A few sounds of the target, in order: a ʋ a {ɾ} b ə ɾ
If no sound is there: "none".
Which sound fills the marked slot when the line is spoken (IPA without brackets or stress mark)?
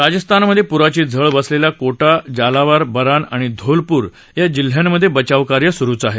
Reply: ɾ